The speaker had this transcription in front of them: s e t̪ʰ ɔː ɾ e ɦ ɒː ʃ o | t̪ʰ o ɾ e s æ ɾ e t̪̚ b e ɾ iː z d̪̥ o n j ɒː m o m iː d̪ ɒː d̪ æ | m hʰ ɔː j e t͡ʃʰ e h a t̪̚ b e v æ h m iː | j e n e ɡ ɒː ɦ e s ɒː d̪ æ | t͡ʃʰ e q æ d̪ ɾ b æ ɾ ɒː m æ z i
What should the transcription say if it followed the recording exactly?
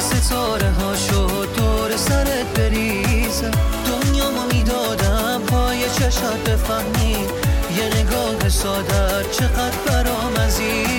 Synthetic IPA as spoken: s e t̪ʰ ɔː ɾ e ɦ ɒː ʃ o | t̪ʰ o ɾ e s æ ɾ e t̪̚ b e ɾ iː z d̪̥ o n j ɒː m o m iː d̪ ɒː d̪ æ | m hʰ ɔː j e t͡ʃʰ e ʃ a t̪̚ b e f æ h m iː | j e n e ɡ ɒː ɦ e s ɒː d̪ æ | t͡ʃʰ e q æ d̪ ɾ b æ ɾ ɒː m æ z i